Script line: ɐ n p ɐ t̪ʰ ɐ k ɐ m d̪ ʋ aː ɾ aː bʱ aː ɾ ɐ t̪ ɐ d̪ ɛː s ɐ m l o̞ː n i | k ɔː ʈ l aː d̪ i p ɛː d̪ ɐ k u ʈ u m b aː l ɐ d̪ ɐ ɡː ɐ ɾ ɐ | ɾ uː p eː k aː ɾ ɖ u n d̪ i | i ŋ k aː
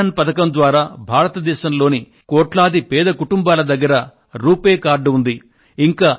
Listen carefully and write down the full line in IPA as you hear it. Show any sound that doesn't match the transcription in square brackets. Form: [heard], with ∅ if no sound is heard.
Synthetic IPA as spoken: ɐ n p ɐ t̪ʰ ɐ k ɐ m d̪ ʋ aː ɾ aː bʱ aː ɾ ɐ t̪ ɐ d̪ ɛː [ʃ] ɐ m l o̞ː n i | k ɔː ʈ l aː d̪ i p ɛː d̪ ɐ k u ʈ u m b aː l ɐ d̪ ɐ ɡː ɐ ɾ ɐ | ɾ uː p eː k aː ɾ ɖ u n d̪ i | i ŋ k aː